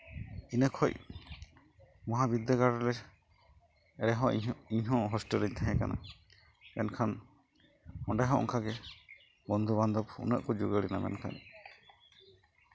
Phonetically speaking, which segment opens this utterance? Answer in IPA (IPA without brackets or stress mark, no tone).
i